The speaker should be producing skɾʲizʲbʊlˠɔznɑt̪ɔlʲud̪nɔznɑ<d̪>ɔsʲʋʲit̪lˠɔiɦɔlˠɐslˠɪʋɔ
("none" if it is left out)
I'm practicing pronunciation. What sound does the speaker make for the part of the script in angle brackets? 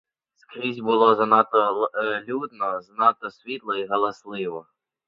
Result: t̪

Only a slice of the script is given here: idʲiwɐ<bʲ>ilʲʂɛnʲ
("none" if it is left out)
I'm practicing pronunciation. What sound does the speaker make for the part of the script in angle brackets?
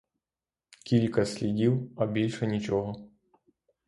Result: bʲ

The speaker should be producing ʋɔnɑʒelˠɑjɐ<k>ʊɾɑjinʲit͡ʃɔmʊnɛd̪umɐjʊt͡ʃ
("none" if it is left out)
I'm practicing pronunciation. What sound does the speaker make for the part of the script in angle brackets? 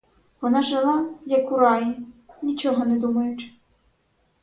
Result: k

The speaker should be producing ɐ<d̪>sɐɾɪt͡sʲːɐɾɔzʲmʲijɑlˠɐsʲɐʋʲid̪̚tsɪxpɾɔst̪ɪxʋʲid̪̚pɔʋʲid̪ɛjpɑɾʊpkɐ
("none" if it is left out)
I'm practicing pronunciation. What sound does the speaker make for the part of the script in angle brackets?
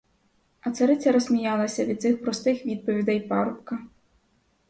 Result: t̪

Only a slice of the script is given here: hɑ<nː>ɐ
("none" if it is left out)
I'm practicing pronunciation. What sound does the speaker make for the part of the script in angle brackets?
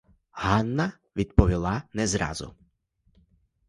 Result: nː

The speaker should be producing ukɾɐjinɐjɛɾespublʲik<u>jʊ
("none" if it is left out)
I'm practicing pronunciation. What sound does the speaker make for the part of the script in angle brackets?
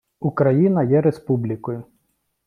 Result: ɔ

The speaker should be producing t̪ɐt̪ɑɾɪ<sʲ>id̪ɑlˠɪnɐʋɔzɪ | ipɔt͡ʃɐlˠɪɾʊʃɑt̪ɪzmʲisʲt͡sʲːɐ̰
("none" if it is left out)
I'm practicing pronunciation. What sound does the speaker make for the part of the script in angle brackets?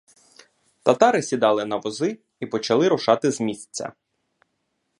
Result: sʲ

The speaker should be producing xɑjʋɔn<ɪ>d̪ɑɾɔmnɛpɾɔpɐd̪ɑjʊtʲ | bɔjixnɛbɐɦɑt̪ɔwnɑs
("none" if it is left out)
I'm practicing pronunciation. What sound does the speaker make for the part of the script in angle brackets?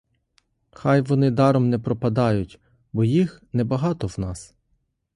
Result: ɪ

